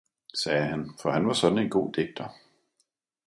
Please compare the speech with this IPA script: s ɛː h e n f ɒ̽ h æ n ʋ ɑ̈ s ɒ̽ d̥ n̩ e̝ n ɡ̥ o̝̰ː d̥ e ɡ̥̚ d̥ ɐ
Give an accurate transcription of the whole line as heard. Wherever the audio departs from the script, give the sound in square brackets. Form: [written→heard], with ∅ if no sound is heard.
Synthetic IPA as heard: s ɛː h [e→æ] n f ɒ̽ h æ n ʋ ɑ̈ s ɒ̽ d̥ n̩ e̝ n ɡ̥ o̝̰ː d̥ e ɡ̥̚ d̥ ɐ